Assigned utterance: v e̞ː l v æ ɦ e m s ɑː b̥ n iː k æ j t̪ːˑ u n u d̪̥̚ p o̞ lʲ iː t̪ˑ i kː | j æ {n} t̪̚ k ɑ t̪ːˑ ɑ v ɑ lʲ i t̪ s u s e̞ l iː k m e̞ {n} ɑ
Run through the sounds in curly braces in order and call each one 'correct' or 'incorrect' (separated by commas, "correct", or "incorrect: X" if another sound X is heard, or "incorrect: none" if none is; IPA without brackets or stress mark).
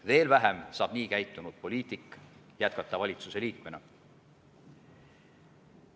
incorrect: none, correct